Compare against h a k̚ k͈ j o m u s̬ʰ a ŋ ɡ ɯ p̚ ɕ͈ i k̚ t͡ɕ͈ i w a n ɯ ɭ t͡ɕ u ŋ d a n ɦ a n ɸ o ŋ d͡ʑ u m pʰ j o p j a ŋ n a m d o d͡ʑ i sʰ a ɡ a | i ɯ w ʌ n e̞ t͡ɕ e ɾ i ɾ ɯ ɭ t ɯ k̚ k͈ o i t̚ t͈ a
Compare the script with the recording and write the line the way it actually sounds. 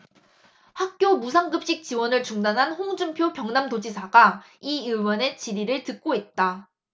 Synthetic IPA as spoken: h a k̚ k͈ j o m u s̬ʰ a ŋ ɡ ɯ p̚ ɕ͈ i k̚ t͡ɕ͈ i w ʌ n ɯ ɭ t͡ɕ u ŋ d a n ɦ a n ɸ o ŋ d͡ʑ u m pʰ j o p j ʌ ŋ n a m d o d͡ʑ i sʰ a ɡ a | i ɯ w ʌ n e̞ t͡ɕ i ɾ i ɾ ɯ ɭ t ɯ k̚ k͈ o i t̚ t͈ a